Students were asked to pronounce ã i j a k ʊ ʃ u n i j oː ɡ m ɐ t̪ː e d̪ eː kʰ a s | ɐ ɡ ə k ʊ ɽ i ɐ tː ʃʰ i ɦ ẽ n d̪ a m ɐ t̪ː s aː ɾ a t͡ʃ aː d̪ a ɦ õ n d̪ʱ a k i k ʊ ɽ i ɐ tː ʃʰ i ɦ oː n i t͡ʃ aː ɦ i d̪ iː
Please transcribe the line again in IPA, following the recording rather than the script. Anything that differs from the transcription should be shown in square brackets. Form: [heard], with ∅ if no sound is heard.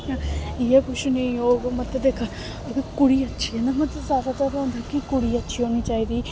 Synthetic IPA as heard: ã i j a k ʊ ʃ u n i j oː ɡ m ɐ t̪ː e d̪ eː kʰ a [∅] | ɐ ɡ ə k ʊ ɽ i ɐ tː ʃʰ i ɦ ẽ n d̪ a m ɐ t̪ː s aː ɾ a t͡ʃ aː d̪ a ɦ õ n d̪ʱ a k i k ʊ ɽ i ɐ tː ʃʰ i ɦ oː n i t͡ʃ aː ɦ i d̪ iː